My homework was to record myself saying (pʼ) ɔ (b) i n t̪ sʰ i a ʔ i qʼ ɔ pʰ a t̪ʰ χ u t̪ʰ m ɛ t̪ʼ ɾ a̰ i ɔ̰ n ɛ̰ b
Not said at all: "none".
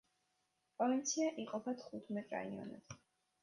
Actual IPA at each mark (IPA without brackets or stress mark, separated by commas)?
pʼ, v